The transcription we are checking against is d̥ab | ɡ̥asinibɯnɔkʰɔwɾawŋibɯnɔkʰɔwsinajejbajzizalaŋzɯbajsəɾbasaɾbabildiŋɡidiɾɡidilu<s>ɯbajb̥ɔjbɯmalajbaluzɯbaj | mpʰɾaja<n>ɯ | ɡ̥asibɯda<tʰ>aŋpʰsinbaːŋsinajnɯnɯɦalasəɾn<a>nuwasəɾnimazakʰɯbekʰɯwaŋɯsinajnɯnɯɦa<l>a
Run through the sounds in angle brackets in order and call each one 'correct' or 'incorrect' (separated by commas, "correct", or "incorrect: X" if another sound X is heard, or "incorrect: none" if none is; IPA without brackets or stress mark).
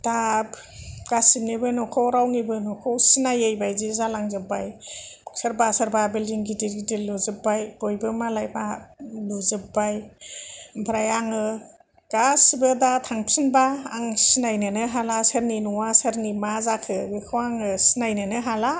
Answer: incorrect: z, incorrect: ŋ, correct, incorrect: i, correct